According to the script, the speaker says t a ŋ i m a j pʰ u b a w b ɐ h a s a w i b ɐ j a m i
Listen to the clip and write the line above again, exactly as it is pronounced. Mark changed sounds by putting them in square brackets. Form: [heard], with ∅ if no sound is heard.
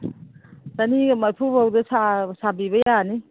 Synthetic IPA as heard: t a [n] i m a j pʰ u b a w [d] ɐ [s] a s a [b] i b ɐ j a [n] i